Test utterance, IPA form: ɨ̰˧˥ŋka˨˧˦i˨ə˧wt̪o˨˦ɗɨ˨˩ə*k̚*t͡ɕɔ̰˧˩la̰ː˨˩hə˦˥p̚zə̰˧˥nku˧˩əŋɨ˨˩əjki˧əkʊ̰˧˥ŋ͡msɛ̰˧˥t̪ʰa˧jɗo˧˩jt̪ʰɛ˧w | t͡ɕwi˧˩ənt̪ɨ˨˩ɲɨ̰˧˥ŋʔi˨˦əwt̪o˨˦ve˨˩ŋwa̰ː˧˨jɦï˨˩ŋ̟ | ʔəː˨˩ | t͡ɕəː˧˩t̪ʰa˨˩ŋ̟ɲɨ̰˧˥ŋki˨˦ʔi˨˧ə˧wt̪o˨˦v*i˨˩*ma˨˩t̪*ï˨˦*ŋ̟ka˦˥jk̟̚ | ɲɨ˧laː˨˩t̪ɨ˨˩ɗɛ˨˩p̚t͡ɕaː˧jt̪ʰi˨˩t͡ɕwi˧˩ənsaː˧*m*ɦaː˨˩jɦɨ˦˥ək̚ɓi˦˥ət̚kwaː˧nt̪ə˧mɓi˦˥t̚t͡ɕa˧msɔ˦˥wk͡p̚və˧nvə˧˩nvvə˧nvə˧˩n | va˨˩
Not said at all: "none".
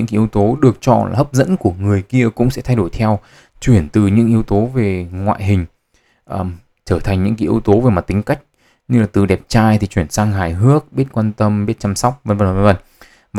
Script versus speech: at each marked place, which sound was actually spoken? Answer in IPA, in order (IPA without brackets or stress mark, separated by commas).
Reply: k̚, e˨˩, ï˨˦, ŋ